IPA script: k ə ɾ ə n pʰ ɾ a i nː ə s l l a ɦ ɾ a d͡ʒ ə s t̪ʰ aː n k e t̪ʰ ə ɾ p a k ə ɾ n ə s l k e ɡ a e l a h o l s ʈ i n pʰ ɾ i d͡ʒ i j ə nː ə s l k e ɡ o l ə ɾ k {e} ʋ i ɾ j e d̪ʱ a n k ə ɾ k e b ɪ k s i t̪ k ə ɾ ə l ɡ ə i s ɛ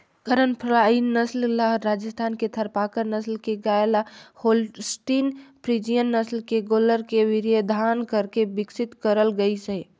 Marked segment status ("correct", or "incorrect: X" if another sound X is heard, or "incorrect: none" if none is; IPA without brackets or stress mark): correct